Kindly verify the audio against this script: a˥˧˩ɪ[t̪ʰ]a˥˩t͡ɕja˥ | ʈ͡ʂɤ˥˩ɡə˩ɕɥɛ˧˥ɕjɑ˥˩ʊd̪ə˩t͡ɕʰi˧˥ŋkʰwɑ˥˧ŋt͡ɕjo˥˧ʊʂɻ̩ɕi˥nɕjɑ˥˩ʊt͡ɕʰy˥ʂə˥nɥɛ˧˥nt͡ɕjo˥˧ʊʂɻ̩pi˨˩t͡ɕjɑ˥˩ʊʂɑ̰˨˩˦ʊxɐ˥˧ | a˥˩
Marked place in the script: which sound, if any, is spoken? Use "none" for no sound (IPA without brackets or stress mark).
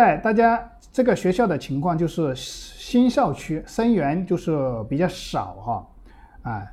t̪